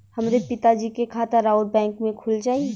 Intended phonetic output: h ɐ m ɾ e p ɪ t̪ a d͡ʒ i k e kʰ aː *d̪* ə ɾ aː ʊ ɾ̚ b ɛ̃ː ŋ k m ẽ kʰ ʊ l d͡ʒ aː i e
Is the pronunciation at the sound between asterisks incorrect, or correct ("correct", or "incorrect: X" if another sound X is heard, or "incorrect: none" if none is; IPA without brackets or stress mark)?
incorrect: t̪